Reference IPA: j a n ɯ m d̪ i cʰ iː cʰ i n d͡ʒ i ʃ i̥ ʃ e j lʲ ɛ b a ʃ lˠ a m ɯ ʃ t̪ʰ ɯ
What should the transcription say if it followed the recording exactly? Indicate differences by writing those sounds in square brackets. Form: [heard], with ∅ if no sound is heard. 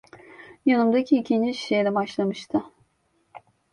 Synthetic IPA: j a n ɯ m d̪ [a] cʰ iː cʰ i n d͡ʒ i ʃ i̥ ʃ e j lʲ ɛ b a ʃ lˠ a m ɯ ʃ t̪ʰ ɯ